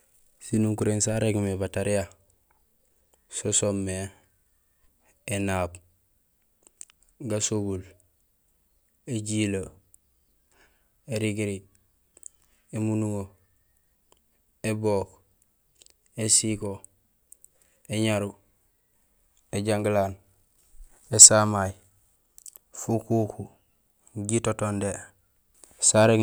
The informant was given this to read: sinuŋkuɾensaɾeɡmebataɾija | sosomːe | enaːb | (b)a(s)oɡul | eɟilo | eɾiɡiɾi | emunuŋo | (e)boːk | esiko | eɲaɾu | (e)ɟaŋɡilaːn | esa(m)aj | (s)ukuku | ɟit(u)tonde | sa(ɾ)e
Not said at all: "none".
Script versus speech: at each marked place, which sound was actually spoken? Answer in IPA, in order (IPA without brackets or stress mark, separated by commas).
ɡ, s, e, e, m, f, o, ɾ